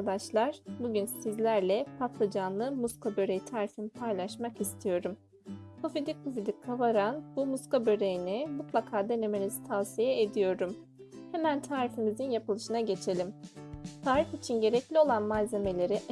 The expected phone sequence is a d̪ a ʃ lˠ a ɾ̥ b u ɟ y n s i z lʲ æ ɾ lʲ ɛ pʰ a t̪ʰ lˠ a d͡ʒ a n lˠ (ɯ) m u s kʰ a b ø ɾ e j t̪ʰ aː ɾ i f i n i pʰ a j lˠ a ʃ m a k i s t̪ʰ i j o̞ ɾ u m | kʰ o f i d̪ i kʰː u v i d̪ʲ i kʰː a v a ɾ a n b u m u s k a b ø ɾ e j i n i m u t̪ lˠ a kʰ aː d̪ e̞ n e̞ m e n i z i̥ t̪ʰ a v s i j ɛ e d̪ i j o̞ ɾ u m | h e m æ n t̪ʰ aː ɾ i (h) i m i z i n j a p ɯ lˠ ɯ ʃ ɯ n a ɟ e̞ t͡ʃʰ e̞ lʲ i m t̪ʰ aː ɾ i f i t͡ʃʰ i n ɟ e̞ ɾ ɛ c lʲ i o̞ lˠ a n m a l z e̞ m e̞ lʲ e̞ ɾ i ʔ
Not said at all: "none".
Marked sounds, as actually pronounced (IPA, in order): ɯ, f

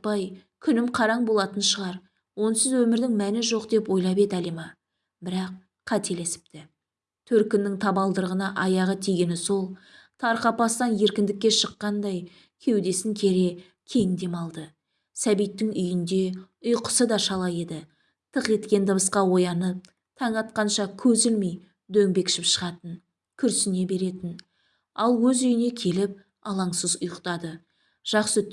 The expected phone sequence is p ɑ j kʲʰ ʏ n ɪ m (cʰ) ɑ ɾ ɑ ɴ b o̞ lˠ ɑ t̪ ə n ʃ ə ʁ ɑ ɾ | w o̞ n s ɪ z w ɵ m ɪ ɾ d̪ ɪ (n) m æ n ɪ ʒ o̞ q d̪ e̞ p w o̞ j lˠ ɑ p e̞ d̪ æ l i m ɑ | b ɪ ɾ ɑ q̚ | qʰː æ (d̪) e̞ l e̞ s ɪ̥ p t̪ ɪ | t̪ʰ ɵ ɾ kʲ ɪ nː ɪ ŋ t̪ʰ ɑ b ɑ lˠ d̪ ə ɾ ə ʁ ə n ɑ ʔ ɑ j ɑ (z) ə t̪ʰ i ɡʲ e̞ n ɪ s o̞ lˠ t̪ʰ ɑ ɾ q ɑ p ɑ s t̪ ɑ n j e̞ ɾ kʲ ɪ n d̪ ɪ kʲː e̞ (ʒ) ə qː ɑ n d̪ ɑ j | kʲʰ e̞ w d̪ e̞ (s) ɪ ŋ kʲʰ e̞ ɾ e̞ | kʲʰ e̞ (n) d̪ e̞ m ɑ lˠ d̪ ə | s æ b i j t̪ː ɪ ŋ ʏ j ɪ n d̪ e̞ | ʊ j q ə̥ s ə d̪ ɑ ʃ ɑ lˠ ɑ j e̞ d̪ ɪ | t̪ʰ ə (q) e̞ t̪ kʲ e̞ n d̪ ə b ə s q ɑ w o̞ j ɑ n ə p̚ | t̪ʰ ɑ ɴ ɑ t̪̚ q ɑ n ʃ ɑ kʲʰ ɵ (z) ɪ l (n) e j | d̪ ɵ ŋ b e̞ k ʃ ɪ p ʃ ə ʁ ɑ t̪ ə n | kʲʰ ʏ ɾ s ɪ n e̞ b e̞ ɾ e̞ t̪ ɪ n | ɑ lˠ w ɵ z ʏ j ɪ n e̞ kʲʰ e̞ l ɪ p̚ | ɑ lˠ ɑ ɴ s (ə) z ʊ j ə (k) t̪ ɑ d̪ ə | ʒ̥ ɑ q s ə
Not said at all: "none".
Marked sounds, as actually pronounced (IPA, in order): qʰ, ŋ, t̪, ʁ, ʃ, s, ŋ, q, z, m, ə, q

